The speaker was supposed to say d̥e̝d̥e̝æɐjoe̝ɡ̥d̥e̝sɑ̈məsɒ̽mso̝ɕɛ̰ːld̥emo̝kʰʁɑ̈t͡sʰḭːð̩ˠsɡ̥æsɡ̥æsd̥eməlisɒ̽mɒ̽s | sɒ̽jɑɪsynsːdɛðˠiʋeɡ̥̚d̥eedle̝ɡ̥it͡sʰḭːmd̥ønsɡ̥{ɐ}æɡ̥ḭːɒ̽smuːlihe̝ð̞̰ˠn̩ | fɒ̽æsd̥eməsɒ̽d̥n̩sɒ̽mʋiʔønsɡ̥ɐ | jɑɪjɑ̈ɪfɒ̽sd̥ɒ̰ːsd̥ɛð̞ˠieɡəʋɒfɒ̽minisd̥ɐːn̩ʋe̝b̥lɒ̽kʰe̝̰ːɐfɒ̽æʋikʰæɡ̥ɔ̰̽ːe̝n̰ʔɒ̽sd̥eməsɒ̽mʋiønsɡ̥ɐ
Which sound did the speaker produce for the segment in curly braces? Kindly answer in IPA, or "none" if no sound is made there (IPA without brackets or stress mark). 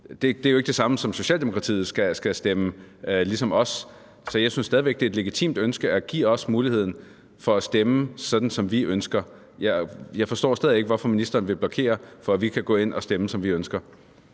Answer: ə